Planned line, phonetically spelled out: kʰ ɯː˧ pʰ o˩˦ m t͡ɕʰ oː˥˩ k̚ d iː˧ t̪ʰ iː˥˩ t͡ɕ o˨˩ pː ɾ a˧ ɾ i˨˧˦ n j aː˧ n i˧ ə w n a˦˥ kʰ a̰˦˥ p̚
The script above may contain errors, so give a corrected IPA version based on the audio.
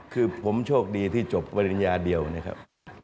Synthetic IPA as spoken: kʰ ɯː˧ pʰ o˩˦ m t͡ɕʰ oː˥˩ k̚ d iː˧ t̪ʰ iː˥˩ t͡ɕ o˨˩ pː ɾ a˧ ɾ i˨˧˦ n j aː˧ d i˧ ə w n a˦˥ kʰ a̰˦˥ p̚